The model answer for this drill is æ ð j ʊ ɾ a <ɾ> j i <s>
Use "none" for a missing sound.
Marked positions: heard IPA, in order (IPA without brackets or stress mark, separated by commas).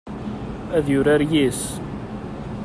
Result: ɾ, s